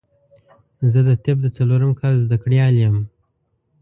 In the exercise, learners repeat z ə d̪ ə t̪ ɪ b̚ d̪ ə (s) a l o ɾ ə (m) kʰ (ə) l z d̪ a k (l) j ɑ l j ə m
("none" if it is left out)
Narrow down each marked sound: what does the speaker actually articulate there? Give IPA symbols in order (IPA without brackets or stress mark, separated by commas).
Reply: t͡s, m, ɑ, ɽ